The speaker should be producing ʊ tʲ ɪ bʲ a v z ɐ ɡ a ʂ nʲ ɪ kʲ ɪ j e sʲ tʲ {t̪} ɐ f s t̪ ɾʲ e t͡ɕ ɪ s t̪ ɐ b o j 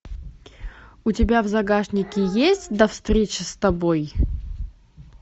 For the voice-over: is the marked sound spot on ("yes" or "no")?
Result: no